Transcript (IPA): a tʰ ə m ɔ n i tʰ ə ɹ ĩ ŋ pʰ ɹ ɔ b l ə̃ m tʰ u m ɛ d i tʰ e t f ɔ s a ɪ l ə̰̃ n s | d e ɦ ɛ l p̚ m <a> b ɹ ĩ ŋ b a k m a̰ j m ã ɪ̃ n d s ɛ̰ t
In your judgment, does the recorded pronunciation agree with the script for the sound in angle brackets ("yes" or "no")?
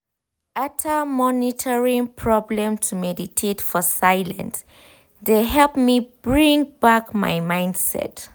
no